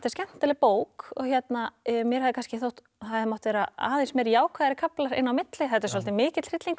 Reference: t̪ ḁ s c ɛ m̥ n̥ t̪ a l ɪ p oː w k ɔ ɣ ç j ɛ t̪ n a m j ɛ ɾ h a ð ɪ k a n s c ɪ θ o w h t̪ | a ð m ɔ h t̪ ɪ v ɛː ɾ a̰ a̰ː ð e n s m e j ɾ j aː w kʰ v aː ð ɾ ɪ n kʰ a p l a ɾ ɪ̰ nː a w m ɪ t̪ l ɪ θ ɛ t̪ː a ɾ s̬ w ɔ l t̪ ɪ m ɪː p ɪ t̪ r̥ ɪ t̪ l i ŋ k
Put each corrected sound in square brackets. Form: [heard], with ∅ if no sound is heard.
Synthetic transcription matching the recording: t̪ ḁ s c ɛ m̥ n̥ t̪ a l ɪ p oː w k ɔ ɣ ç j ɛ t̪ n a m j ɛ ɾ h a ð ɪ k a n s c ɪ θ o w h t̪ | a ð m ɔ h t̪ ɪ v ɛː ɾ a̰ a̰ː ð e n s m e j ɾ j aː w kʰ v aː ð ɾ ɪ [∅] kʰ a p l a ɾ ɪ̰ nː a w m ɪ t̪ l ɪ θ ɛ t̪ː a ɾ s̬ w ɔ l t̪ ɪ m ɪː [c] ɪ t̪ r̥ ɪ t̪ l i ŋ k

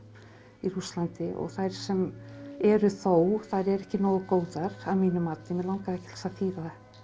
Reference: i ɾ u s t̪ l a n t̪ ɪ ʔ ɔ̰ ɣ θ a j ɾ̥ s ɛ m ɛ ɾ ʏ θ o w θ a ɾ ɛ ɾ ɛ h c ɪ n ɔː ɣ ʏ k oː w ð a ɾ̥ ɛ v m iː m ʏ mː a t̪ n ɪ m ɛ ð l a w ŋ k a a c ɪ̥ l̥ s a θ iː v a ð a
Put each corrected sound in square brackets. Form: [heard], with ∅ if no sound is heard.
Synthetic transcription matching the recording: i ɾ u s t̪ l a n t̪ ɪ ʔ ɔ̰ ɣ θ a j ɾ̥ s ɛ m ɛ ɾ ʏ θ o w θ a ɾ ɛ ɾ ɛ h c ɪ n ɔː ɣ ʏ k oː w ð a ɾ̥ [a] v m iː [n] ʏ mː a t̪ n ɪ m ɛ ð l a w ŋ k a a c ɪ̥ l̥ s a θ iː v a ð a

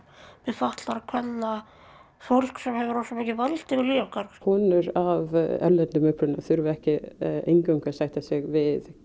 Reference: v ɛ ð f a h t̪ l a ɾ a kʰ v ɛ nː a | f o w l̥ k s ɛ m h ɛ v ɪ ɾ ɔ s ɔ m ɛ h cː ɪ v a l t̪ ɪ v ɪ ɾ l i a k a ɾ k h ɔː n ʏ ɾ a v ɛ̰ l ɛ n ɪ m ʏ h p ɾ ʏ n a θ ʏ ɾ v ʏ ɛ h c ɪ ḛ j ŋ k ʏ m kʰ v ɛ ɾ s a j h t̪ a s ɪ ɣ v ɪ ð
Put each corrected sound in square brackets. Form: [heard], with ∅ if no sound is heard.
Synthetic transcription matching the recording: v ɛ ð f a h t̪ l a ɾ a kʰ v ɛ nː a | f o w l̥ k s ɛ m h ɛ v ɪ ɾ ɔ s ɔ m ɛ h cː ɪ v a l t̪ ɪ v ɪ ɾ l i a k a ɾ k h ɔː n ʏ ɾ a v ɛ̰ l ɛ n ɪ m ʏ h p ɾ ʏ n a θ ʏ ɾ v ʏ ɛ h c ɪ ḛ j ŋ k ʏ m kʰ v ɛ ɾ s a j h t̪ a s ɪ ɣ v ɪ ð

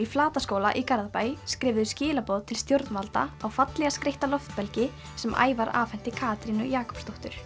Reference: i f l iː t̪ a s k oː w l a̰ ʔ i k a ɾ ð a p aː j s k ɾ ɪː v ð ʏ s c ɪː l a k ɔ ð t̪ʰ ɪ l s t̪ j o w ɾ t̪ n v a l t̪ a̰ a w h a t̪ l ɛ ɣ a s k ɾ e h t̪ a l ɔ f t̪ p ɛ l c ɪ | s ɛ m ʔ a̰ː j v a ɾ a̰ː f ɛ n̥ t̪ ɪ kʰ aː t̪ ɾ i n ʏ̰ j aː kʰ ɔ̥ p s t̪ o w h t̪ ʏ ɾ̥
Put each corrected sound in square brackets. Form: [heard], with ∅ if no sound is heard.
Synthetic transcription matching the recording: i f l [aː] t̪ a s k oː w l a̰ ʔ i k a ɾ ð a p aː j s k ɾ ɪː v ð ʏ s c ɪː l a [p] ɔ ð t̪ʰ ɪ l s t̪ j o w ɾ t̪ n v a l t̪ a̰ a w [f] a t̪ l ɛ ɣ a s k ɾ e h t̪ a l ɔ f t̪ p ɛ l c ɪ | s ɛ m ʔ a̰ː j v a ɾ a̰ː f ɛ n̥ t̪ ɪ kʰ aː t̪ ɾ i n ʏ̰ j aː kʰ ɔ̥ p s t̪ o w h t̪ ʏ ɾ̥

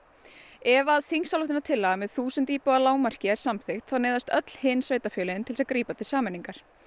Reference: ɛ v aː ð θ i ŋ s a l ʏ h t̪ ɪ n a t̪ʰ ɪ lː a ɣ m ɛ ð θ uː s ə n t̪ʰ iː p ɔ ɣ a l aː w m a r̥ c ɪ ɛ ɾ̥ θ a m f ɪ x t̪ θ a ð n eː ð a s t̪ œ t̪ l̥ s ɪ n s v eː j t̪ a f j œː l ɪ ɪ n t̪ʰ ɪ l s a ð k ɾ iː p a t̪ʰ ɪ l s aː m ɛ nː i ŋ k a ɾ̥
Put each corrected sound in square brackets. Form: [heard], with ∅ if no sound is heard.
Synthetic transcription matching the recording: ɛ v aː ð θ i ŋ s a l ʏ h t̪ ɪ n a t̪ʰ ɪ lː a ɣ m ɛ ð θ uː s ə n [t̪] iː p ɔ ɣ a l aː w m a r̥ c ɪ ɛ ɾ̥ [s] a m [θ] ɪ x t̪ θ a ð n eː ð a s t̪ œ t̪ l̥ [h] ɪ n s v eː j t̪ a f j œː l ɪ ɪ n t̪ʰ ɪ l s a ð k ɾ iː p a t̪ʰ ɪ l s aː m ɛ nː i ŋ k a ɾ̥

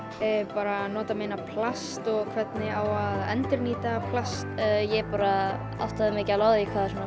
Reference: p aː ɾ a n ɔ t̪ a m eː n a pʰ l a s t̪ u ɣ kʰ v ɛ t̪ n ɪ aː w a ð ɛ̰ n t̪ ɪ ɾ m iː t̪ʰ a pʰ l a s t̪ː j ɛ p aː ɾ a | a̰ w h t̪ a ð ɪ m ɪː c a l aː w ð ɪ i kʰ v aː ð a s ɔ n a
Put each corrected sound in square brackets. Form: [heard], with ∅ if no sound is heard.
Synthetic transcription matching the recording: p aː ɾ a n [ɔː] t̪ a m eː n a pʰ l a s t̪ [ɔ] ɣ kʰ v ɛ t̪ n ɪ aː w a ð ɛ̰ n t̪ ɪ ɾ [n] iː [t̪] a pʰ l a s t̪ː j ɛ p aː ɾ a | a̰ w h t̪ a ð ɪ m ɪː c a l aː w ð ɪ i kʰ v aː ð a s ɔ n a

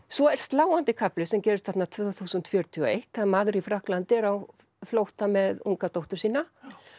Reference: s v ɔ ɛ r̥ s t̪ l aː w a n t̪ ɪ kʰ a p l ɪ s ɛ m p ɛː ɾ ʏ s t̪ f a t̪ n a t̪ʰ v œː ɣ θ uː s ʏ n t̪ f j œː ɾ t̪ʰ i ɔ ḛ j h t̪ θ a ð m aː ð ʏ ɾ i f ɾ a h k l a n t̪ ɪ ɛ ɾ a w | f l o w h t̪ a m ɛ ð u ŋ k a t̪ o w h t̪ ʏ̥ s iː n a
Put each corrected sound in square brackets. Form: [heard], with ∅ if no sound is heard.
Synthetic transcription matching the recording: s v ɔ ɛ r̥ s t̪ l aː w a n t̪ ɪ kʰ a p l ɪ s ɛ m [c] ɛː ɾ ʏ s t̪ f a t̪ n a t̪ʰ v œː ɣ θ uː s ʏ n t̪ f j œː ɾ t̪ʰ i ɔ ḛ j h t̪ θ a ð m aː ð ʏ ɾ i f ɾ a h k l a n t̪ ɪ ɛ ɾ a w | f l o w h t̪ a m ɛ ð u ŋ k a t̪ o w h t̪ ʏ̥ s iː n a

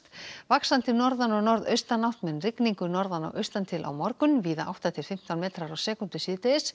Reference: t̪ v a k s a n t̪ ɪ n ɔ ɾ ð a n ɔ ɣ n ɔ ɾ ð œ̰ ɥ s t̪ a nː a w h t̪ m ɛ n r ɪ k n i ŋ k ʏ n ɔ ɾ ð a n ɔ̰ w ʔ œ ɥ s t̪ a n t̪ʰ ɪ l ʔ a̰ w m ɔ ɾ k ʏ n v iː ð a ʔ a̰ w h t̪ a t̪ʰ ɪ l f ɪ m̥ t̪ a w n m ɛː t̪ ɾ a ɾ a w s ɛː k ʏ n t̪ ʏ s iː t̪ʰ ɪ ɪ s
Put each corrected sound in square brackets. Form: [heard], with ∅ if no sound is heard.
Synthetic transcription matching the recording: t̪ v a k s a n t̪ ɪ n ɔ ɾ ð a n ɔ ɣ n ɔ ɾ ð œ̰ ɥ s t̪ a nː a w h t̪ m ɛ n r ɪ k n i ŋ k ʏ n ɔ ɾ ð a n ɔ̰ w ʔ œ ɥ s t̪ a n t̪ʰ ɪ l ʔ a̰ w m ɔ ɾ k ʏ n v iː ð a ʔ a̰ w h t̪ a t̪ʰ ɪ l f ɪ m̥ t̪ a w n m ɛː t̪ ɾ a ɾ a w s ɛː k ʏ n t̪ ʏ s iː [t̪] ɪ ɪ s

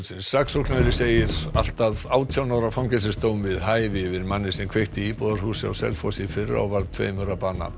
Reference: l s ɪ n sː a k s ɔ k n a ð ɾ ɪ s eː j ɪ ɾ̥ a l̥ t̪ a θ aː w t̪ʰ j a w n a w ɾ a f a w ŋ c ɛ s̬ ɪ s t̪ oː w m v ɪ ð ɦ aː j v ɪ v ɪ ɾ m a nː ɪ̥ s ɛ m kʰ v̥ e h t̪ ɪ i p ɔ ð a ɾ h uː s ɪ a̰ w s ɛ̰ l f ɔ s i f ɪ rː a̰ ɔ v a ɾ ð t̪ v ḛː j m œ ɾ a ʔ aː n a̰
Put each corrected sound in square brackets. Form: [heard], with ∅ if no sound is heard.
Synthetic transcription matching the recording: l s ɪ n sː a k s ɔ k n a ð ɾ ɪ s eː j ɪ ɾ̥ a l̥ t̪ a [ð] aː w t̪ʰ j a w n a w ɾ a f a w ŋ c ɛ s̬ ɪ s t̪ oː w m v ɪ ð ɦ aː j v ɪ v ɪ ɾ m a nː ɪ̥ s ɛ m kʰ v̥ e h t̪ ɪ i p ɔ ð a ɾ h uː s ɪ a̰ w s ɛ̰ l f ɔ s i f ɪ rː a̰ ɔ v a ɾ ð [t̪ʰ] v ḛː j m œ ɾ a [p] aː n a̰

